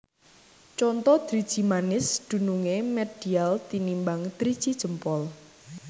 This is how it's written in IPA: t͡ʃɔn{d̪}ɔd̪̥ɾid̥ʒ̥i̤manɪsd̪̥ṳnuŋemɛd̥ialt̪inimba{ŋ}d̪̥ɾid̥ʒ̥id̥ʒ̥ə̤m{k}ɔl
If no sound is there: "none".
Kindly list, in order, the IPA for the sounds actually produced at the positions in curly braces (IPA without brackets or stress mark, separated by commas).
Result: t̪, ŋ, p